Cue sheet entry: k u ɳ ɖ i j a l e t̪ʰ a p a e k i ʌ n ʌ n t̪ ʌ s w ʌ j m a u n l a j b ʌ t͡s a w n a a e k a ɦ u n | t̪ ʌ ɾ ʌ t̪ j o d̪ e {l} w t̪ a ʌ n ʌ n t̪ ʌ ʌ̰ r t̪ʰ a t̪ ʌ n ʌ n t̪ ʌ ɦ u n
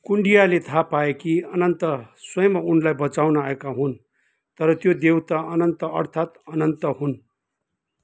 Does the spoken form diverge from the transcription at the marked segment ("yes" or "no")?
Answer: yes